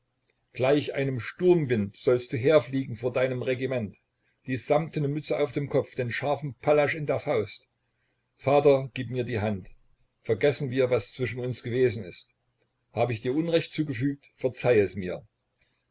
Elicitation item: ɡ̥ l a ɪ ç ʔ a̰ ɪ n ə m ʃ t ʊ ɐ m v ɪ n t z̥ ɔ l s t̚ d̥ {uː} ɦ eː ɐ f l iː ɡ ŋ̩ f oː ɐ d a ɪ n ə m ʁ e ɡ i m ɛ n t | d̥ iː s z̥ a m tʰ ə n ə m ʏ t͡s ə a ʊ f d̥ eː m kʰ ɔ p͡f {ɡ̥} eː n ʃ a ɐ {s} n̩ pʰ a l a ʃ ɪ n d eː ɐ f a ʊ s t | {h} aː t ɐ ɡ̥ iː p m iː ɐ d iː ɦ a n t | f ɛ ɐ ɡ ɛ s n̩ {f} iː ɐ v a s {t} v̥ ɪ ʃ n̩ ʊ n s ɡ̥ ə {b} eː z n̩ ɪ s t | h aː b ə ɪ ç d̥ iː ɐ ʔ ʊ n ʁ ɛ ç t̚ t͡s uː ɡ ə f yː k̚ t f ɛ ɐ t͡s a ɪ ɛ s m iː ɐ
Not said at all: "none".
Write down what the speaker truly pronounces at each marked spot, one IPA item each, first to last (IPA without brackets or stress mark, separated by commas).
uː, d̥, f, f, v, t͡s, v